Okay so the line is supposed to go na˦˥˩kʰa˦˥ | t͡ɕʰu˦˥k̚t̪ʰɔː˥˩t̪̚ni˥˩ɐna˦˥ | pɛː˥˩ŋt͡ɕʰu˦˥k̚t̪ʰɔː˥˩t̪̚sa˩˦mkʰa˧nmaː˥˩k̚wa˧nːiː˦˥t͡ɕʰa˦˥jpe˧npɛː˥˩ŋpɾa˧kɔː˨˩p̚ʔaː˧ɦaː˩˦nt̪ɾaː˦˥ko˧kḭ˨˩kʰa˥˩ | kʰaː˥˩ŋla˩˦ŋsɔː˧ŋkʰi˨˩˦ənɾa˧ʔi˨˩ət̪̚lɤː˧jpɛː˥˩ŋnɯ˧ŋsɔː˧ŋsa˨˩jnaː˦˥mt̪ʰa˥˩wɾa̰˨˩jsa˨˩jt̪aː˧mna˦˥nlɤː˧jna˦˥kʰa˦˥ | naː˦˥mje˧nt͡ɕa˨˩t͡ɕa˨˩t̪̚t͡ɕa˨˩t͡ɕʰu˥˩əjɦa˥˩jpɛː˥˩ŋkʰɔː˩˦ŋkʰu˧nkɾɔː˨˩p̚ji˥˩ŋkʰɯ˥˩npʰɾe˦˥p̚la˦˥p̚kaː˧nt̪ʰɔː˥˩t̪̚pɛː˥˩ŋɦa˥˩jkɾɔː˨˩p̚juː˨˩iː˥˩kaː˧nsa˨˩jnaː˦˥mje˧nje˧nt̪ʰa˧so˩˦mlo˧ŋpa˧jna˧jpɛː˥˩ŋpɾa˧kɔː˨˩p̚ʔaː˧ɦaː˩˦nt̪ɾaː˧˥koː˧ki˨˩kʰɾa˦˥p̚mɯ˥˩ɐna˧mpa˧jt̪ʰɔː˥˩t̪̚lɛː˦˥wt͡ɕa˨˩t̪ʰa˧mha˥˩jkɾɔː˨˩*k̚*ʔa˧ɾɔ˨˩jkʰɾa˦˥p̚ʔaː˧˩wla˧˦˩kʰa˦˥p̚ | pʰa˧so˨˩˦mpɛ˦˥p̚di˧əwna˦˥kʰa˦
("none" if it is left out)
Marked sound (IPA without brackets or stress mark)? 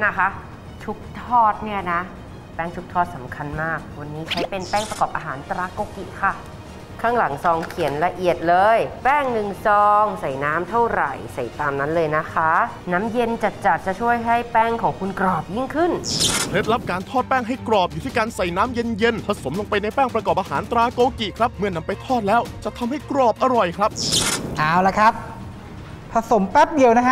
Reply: p̚